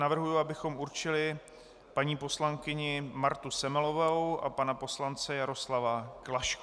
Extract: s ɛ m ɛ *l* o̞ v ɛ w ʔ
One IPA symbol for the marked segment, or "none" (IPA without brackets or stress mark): l